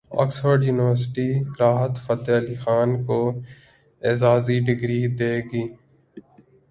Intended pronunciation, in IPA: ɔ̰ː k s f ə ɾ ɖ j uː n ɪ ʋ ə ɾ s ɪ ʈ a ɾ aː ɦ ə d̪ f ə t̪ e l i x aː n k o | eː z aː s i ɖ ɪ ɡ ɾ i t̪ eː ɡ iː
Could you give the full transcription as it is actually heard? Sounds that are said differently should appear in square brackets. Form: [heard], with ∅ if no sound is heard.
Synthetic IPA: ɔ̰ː k s f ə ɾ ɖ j uː n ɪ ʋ ə ɾ s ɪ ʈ [i] ɾ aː ɦ ə [t̪] f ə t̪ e l i x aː n k o | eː z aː [z] i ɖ ɪ ɡ ɾ i [d̪] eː ɡ iː